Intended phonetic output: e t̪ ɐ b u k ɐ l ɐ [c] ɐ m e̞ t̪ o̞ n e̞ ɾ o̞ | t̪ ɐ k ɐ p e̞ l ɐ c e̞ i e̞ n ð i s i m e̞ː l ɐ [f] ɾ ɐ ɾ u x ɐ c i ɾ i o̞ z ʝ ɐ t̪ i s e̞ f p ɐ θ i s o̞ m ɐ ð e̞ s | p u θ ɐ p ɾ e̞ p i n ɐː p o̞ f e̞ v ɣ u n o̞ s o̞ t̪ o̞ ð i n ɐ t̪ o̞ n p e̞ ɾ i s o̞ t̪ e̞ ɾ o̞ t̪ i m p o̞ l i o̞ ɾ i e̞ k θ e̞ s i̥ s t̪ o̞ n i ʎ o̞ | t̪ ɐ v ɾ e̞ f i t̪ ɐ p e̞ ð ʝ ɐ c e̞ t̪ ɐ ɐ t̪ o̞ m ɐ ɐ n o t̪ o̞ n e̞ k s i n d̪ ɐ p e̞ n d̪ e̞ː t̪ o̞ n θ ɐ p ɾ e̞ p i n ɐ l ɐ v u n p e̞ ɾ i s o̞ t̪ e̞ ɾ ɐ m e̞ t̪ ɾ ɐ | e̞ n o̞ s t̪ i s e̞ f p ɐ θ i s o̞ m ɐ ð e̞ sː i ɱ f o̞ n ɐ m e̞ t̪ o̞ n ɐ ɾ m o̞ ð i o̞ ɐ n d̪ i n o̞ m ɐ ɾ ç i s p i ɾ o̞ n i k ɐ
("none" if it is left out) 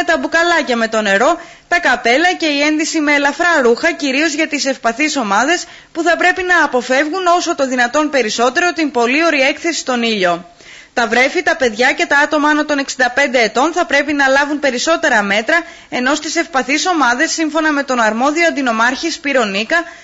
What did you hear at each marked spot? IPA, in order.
c, f

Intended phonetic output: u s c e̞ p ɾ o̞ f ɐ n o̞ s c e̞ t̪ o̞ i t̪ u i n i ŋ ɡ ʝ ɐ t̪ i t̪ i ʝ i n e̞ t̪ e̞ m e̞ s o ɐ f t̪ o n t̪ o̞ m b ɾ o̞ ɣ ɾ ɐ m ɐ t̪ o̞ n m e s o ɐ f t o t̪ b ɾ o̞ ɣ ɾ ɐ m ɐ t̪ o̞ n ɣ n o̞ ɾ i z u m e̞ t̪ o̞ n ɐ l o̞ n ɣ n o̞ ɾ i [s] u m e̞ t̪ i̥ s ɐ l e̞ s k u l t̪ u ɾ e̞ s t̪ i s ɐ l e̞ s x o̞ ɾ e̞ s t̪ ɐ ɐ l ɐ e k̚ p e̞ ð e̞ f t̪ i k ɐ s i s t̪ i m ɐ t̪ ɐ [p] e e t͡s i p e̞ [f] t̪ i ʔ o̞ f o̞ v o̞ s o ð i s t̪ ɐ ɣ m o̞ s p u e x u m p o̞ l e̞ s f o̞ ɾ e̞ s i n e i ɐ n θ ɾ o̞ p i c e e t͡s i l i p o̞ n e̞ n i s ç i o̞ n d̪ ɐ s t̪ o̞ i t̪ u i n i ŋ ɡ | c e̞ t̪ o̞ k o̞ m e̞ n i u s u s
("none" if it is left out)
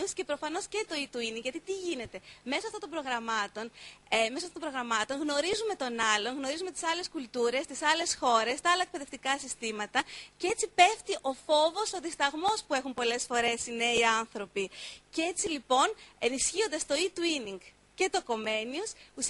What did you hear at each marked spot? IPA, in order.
z, c, f

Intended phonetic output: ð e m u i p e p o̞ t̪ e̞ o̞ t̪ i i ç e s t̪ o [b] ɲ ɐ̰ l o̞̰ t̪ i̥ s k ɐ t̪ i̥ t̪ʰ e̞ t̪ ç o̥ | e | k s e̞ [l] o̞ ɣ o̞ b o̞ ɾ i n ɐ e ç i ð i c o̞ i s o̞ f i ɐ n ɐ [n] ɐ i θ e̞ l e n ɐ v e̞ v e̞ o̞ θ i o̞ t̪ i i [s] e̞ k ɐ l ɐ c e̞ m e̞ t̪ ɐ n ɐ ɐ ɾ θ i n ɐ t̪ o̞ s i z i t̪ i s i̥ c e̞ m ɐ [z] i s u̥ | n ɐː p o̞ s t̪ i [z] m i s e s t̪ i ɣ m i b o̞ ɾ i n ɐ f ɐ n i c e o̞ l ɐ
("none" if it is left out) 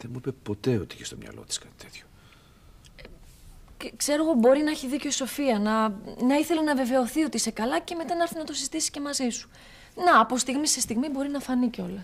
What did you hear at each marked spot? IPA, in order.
m, ɾ, n, s, z, ɣ

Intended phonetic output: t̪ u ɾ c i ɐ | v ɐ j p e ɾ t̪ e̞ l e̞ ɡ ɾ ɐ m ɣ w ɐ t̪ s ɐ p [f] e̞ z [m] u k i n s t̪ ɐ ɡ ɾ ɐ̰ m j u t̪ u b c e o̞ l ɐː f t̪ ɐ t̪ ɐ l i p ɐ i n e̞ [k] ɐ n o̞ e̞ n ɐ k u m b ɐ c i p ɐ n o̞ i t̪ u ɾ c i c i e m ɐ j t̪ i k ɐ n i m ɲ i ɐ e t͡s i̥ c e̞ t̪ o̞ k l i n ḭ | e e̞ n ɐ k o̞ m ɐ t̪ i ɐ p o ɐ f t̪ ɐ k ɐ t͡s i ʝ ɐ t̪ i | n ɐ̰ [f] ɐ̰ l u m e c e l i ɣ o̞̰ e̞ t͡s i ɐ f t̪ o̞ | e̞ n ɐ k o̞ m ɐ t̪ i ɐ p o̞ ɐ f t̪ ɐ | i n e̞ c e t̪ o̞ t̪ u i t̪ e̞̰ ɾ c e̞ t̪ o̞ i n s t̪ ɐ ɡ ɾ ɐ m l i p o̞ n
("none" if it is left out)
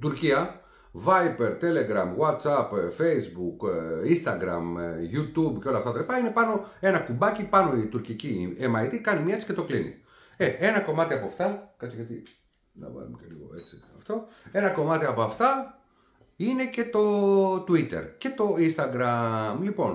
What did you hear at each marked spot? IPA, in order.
f, b, p, v

